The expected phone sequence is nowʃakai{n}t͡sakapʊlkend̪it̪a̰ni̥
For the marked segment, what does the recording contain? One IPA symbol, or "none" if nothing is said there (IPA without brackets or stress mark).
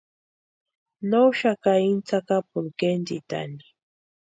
n